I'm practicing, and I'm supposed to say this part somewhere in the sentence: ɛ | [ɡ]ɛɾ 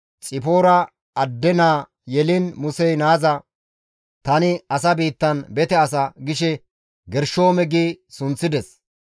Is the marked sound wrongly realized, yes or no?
no